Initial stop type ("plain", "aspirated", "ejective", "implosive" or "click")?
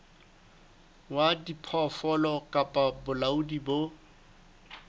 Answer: plain